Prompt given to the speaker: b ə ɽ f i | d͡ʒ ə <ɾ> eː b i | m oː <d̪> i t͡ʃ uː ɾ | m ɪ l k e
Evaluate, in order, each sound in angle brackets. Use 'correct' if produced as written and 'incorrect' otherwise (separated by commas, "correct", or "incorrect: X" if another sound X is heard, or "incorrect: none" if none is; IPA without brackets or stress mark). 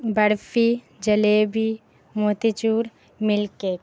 incorrect: l, incorrect: t̪